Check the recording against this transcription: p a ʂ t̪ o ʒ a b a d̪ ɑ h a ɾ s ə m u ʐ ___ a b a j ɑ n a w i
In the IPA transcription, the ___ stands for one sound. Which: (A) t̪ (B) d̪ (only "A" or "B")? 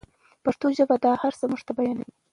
A